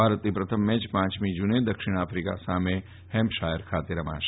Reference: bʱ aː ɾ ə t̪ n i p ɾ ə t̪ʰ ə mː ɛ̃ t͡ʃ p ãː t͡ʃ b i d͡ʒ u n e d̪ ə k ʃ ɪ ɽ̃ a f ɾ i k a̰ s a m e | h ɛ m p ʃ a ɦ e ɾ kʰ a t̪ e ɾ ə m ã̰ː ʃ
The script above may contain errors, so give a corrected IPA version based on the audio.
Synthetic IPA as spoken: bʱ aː ɾ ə t̪ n i p ɾ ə t̪ʰ ə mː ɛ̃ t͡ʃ p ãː t͡ʃ m i d͡ʒ u n e d̪ ə k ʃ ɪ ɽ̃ a f ɾ i k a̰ s a m e | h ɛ m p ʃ a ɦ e ɾ kʰ a t̪ e ɾ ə m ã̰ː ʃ